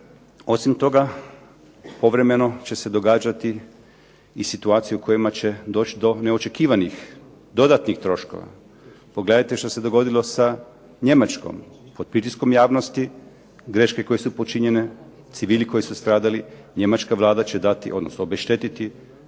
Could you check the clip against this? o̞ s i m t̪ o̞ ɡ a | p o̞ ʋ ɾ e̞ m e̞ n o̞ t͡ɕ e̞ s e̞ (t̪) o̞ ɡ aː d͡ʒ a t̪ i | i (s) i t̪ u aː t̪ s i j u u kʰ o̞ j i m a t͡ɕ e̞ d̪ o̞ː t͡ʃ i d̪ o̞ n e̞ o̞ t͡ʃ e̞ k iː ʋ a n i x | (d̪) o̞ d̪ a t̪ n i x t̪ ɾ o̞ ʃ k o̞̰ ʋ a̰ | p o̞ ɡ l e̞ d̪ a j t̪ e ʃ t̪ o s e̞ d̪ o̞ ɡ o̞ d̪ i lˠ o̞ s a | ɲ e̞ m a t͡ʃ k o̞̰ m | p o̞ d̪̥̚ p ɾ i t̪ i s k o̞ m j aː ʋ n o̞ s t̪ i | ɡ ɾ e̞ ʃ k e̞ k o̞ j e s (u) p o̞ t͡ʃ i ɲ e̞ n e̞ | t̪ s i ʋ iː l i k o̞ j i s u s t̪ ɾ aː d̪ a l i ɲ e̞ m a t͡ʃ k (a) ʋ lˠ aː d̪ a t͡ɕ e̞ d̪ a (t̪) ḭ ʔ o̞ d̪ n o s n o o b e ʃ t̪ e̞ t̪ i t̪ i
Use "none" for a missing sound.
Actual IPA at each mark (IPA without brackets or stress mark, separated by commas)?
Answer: d̪, s, d̪, u, a, t̪